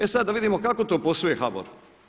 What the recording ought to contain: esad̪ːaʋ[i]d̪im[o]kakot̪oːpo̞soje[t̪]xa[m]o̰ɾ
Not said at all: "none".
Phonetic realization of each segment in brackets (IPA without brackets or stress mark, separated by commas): i, o, none, b